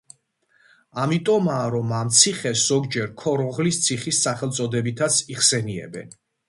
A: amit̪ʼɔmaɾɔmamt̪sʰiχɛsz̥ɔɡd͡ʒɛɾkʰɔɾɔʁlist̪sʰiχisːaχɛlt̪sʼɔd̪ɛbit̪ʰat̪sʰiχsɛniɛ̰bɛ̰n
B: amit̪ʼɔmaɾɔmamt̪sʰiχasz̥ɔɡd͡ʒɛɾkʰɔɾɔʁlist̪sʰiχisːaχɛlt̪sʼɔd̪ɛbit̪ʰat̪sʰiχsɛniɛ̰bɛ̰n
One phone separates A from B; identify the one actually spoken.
A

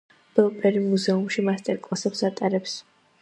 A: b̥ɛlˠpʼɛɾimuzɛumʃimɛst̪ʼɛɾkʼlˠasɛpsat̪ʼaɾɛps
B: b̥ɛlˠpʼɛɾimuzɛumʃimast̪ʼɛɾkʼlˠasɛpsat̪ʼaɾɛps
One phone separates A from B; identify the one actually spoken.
B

